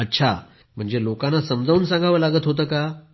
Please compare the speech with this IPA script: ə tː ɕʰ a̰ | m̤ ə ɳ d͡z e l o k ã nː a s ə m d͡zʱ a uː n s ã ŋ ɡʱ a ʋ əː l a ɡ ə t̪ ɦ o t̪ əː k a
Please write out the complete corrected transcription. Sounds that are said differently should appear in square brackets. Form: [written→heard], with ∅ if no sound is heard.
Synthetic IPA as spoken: ə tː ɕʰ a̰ | m̤ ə ɳ d͡z e l o k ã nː a s ə m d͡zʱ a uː n s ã ŋ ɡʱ a ʋ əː l a ɡ ə t̪ ɦ o t̪ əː k a